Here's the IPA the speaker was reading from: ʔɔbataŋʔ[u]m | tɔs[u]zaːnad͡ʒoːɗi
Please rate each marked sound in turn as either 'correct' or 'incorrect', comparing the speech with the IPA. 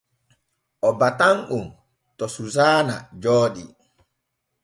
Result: correct, correct

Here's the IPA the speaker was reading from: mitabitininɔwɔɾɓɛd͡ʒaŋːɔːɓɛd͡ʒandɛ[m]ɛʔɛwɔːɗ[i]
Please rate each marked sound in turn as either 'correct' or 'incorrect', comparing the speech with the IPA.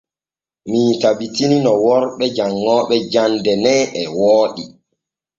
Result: incorrect: n, correct

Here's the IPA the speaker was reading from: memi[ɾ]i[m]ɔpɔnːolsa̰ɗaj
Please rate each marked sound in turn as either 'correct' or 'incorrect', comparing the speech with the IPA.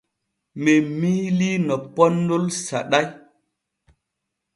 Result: incorrect: l, incorrect: n

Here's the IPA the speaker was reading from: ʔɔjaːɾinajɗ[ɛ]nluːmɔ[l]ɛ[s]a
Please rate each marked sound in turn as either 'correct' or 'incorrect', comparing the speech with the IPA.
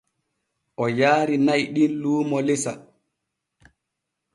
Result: incorrect: i, correct, correct

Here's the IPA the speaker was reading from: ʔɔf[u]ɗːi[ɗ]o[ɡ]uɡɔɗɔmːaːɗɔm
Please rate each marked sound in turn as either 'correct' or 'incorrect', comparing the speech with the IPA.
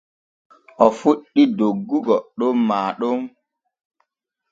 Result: correct, incorrect: d, incorrect: ɡː

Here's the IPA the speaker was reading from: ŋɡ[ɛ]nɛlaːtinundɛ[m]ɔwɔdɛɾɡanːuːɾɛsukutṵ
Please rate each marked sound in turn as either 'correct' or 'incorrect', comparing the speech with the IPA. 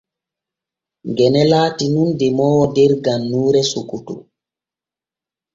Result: correct, correct

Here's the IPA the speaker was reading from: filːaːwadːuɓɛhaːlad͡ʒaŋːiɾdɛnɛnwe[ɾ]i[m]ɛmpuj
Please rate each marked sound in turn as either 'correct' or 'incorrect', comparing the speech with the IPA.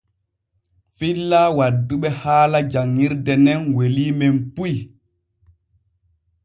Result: incorrect: l, correct

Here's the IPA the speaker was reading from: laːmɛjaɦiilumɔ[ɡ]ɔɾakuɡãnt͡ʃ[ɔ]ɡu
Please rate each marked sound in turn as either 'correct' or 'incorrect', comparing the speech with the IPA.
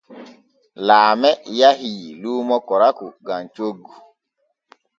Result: incorrect: k, incorrect: o

